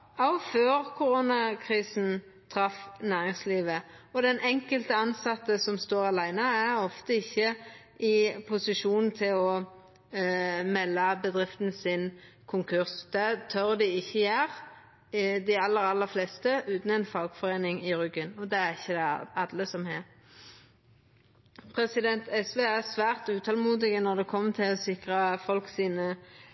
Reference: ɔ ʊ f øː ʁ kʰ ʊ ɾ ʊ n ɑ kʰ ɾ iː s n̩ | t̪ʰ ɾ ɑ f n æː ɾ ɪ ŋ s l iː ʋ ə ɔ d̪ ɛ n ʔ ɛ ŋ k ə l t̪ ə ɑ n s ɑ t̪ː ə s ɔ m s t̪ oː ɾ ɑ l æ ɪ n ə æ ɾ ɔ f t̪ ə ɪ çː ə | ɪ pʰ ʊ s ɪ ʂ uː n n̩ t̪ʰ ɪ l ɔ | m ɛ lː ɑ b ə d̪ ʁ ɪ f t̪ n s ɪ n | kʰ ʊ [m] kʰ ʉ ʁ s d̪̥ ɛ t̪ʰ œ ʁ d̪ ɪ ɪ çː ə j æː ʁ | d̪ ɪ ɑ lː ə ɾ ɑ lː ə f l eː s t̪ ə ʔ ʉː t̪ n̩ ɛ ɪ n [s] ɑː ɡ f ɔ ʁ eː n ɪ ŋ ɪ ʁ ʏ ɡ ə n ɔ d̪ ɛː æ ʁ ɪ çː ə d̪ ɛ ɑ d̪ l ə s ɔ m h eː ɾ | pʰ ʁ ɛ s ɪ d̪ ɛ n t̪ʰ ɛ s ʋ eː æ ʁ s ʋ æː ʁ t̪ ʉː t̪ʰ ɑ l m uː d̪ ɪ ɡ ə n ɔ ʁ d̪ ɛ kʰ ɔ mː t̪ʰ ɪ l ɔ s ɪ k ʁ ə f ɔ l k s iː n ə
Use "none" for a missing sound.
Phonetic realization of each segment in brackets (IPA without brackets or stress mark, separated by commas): ŋ, f